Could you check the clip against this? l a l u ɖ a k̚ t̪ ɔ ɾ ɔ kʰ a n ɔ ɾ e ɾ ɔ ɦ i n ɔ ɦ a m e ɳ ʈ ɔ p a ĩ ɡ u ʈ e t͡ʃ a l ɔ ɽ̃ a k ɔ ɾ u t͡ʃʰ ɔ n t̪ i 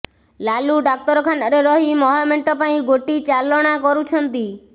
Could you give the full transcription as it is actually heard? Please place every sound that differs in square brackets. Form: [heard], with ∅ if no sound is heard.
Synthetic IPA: l a l u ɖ a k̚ t̪ ɔ ɾ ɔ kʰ a n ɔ ɾ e ɾ ɔ ɦ i [m] ɔ ɦ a m e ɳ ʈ ɔ p a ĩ ɡ [o] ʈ [i] t͡ʃ a l ɔ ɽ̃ a k ɔ ɾ u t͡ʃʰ ɔ n t̪ i